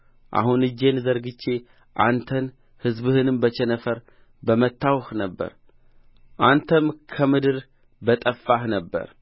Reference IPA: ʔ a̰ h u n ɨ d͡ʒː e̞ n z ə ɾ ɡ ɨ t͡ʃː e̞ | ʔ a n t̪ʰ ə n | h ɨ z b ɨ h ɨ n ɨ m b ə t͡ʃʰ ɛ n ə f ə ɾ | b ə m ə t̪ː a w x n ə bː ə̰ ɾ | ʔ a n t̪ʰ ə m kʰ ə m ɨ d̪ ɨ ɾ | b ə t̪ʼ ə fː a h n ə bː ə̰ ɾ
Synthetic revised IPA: ʔ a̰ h u n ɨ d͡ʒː e̞ n z ə ɾ ɡ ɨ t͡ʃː e̞ | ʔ a n t̪ʰ ə n | h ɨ z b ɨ h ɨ n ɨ m b ə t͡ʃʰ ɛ n ə f ə ɾ | b ə m ə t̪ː a w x n ə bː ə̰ ɾ | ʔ a n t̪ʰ ə m kʰ ə m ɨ d̪ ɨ ɾ | b ə t̪ʼ ə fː a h n ə bː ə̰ ɾ